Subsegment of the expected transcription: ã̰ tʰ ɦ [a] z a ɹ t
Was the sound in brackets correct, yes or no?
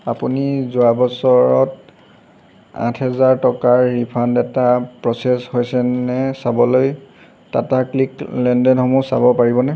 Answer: no